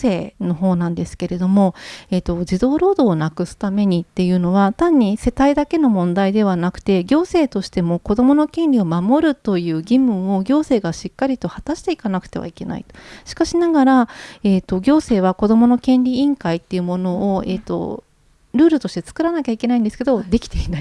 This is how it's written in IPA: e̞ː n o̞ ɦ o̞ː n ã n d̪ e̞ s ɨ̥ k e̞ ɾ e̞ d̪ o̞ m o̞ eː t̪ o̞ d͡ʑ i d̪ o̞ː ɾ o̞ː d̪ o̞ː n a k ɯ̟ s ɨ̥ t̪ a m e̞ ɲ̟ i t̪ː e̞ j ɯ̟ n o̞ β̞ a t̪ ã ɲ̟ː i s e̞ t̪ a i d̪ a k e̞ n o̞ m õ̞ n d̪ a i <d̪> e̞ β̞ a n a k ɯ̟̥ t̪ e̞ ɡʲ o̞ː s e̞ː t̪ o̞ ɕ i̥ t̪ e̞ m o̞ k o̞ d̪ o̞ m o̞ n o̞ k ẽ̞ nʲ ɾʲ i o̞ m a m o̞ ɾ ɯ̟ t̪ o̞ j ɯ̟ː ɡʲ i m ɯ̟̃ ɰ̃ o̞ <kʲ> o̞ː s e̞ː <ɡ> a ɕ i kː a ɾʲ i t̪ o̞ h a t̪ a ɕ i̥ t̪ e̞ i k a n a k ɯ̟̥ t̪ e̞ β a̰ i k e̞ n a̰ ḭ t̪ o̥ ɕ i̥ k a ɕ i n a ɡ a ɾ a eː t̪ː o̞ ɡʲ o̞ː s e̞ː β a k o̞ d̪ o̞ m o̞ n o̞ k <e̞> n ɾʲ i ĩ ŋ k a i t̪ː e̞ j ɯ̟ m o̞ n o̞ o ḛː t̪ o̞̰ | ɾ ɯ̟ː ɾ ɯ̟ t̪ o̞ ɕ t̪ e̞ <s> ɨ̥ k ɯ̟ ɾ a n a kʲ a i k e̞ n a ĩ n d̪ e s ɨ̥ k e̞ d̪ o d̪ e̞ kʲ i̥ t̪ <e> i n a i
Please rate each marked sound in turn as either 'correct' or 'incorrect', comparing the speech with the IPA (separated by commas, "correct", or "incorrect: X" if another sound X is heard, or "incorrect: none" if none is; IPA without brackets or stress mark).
correct, incorrect: ɡʲ, correct, incorrect: ẽ̞, incorrect: t͡s, correct